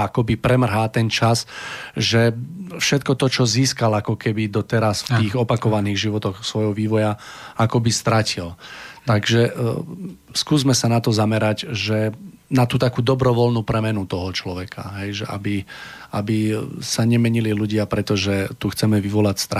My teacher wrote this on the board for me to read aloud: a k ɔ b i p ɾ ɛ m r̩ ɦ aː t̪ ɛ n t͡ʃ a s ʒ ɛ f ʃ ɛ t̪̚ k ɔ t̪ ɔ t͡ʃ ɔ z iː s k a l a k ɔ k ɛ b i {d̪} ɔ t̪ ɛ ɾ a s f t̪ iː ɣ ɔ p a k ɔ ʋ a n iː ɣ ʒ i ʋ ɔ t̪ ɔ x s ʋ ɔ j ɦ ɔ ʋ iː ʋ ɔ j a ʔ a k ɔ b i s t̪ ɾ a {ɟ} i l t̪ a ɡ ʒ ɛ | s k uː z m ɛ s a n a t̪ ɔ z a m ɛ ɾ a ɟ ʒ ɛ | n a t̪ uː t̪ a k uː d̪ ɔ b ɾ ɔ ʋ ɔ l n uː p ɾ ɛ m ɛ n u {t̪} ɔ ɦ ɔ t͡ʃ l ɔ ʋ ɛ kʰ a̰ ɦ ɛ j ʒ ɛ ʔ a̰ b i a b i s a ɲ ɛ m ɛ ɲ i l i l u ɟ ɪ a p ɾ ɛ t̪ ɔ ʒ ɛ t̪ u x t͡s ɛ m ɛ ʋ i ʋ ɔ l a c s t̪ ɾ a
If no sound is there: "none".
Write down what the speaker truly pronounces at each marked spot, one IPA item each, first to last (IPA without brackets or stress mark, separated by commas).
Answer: d̪, c, t̪